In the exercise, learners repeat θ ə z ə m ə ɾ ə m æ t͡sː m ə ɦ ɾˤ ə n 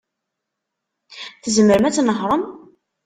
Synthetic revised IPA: θ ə z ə m ə ɾ ə m æ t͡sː n ə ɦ ɾˤ ə m